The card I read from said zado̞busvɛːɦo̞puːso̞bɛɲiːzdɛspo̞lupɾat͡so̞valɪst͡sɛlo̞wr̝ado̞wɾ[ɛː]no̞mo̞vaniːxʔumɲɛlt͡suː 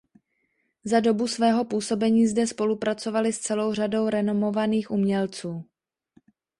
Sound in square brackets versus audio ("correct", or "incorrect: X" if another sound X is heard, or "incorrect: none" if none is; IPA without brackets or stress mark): incorrect: ɛ